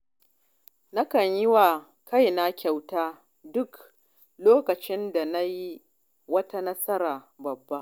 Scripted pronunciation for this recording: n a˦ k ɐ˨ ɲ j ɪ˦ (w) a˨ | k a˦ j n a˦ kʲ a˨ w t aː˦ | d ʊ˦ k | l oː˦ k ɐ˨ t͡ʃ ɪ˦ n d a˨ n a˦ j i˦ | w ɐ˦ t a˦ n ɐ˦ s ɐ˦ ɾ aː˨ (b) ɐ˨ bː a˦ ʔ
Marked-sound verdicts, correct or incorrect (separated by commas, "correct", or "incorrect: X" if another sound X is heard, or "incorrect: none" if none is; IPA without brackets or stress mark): correct, correct